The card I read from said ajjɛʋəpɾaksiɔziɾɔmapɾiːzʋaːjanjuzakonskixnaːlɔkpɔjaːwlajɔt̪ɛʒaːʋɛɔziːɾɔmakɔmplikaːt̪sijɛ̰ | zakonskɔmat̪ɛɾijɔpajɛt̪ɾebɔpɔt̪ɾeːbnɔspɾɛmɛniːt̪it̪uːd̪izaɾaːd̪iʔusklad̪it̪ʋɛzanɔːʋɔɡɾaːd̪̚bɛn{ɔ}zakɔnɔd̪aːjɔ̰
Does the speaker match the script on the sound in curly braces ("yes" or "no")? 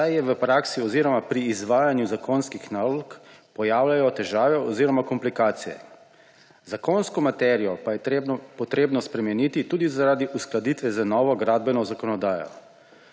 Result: yes